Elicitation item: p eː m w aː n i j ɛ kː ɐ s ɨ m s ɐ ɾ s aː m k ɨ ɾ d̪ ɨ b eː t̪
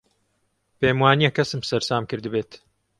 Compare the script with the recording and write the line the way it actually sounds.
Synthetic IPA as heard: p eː m w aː n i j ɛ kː ɐ s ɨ m s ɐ ɾ s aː m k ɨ ɾ d̪ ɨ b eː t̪